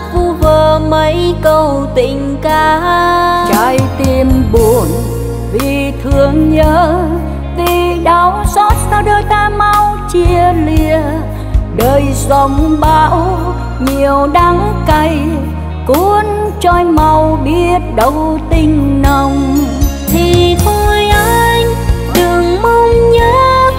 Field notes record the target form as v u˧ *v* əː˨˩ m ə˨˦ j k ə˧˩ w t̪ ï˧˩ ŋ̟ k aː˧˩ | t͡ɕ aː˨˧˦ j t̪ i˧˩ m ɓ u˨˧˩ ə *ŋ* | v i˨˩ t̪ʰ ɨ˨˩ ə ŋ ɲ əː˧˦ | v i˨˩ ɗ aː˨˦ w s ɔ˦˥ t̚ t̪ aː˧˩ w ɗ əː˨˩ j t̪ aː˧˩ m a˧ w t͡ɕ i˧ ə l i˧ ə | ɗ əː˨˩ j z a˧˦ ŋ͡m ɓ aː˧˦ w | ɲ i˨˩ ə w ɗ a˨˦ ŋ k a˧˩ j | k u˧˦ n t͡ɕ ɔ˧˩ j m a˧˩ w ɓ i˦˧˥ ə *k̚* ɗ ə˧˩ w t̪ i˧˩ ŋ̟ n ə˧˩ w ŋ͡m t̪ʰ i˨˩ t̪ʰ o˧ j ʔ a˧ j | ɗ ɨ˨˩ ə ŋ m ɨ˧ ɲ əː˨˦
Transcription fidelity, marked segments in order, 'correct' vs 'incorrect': correct, incorrect: n, incorrect: t̚

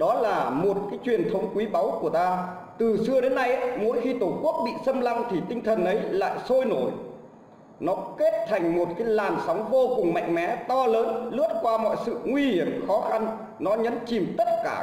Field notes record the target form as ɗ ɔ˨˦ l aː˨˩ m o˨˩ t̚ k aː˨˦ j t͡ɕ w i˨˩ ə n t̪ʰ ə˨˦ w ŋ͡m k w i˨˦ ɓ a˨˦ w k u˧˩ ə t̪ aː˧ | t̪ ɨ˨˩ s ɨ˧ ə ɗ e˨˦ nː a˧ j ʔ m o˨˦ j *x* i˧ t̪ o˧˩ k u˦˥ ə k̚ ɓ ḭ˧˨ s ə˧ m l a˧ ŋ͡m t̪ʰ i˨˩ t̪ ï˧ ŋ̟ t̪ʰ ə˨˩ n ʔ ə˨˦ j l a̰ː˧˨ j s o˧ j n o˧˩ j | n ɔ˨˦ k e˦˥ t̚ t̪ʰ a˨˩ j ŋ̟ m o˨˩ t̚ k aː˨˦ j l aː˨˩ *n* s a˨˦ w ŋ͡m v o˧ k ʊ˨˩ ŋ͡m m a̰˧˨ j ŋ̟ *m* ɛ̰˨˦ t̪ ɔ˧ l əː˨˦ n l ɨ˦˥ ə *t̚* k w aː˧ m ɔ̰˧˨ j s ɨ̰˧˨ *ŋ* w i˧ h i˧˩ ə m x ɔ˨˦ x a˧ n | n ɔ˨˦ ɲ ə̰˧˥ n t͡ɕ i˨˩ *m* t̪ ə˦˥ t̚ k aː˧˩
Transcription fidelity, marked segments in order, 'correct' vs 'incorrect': correct, correct, correct, correct, correct, correct

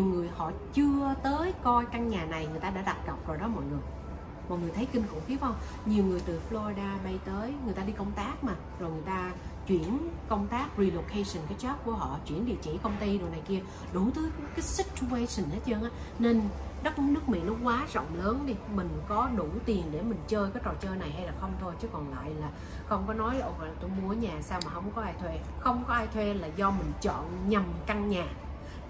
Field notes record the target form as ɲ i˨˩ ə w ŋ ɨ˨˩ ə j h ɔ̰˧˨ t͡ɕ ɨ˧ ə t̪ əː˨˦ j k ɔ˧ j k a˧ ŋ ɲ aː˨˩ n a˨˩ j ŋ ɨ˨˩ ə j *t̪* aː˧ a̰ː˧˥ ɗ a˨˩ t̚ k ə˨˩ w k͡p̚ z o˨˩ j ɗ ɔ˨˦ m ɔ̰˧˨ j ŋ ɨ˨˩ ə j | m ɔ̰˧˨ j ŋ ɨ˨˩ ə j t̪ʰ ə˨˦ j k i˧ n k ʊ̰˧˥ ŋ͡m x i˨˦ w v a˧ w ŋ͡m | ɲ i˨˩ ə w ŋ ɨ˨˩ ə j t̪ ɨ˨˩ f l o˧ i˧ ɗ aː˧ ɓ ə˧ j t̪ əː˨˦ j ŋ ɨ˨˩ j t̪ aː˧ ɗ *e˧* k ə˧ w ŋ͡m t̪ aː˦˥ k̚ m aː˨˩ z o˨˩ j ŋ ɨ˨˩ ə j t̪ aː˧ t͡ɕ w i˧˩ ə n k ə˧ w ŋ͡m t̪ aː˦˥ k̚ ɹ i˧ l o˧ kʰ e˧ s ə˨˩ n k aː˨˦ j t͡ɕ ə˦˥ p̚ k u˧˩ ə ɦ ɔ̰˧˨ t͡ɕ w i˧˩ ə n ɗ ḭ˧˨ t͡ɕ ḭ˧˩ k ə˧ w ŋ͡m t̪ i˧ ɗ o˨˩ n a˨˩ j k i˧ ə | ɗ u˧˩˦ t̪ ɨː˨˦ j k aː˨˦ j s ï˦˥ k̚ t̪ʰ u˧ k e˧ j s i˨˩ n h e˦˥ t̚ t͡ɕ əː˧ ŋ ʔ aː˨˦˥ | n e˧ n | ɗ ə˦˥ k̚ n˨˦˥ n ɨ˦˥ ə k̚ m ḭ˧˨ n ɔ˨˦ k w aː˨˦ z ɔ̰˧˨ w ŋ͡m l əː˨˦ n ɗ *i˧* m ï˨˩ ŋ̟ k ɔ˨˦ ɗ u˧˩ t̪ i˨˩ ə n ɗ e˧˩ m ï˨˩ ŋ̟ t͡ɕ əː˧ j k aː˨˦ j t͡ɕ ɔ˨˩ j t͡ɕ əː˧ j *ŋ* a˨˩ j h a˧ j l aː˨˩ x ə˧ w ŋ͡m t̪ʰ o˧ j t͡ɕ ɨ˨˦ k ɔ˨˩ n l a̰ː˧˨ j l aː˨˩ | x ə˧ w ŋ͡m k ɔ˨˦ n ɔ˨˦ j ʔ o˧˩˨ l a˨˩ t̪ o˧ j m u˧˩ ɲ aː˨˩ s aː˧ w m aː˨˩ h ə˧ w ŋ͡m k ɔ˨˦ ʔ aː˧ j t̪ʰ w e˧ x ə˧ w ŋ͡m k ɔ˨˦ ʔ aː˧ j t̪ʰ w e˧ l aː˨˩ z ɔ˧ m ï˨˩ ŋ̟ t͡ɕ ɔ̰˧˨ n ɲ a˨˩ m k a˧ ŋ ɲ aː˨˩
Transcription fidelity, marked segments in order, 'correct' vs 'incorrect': correct, incorrect: i˧, correct, incorrect: n

